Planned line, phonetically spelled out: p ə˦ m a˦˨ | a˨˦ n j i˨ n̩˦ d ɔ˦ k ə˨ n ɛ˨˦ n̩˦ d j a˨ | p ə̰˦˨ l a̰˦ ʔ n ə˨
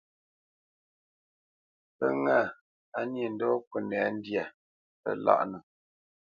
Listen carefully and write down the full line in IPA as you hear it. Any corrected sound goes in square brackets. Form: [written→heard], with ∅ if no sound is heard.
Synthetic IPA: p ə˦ [m→ŋ] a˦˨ | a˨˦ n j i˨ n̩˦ d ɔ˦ k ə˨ n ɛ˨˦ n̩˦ d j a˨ | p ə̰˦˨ l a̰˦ ʔ n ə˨